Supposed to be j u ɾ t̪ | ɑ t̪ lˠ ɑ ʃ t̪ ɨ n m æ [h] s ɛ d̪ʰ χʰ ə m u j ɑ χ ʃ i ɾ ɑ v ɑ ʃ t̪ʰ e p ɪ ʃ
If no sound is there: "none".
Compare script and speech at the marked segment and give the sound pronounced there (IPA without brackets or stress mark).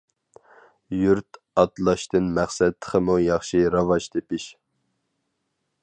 χ